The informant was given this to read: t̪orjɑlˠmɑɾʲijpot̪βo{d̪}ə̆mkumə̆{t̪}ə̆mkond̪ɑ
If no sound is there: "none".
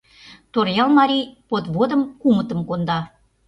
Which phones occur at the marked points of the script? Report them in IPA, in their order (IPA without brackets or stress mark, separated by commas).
d̪, t̪